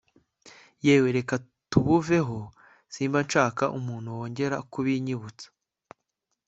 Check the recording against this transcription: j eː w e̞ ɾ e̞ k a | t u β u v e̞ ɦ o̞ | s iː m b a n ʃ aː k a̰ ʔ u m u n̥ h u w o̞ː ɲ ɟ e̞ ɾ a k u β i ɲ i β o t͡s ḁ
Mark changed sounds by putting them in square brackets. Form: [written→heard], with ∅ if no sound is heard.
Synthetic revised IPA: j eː w e̞ ɾ e̞ k a | t u β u v e̞ ɦ o̞ | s iː m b a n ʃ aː k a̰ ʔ u m [u→uː] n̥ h u w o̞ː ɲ ɟ e̞ ɾ a k u β i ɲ i β [o→u] t͡s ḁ